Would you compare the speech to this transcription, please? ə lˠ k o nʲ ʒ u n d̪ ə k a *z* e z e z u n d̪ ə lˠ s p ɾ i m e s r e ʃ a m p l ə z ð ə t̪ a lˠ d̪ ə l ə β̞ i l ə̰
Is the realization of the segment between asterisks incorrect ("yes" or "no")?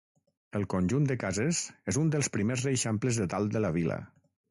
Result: no